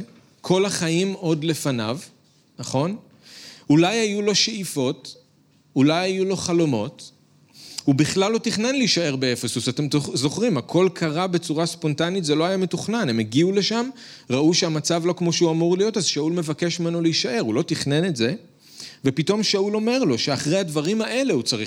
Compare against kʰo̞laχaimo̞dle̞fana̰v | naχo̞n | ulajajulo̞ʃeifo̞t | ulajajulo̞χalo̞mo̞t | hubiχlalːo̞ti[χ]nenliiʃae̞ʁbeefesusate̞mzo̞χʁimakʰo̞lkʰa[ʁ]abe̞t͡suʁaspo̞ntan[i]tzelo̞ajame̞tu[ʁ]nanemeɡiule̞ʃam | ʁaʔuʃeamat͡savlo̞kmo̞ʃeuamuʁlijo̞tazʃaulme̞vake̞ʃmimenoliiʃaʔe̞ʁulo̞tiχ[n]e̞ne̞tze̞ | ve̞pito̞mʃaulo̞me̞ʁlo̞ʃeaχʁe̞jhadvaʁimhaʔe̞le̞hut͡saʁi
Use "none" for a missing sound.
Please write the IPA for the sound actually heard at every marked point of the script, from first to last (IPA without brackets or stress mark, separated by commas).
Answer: χ, ʁ, i, χ, n